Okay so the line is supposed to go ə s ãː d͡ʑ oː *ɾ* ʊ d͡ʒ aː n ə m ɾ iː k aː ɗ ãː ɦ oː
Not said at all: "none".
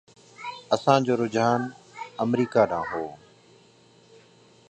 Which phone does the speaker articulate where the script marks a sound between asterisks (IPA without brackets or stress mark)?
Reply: ɾ